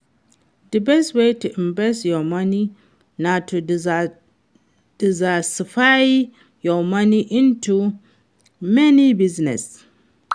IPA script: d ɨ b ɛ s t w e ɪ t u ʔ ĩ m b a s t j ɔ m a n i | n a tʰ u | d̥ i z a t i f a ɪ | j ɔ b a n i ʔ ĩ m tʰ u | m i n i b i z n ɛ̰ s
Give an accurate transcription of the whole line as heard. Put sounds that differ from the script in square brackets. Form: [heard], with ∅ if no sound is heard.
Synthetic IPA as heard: d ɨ b ɛ s t w e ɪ t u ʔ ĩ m b [ɛ] s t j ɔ m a n i | n a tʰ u | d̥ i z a [s] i f a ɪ | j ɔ [m] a n i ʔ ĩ [n] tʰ u | m [ɛ] n i b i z n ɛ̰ s

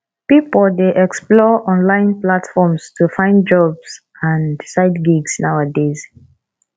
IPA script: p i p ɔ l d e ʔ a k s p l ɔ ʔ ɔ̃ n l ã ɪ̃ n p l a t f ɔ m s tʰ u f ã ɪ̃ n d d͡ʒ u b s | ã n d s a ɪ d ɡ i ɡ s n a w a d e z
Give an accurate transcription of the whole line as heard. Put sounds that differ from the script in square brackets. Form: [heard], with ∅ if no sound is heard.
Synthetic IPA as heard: p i p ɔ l d e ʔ [ɛ] k s p l ɔ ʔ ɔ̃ n l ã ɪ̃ n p l a t f ɔ m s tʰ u f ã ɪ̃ n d d͡ʒ [ɔ] b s | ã n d s a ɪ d ɡ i ɡ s n a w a d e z

